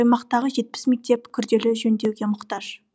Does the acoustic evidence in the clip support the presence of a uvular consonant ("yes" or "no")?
yes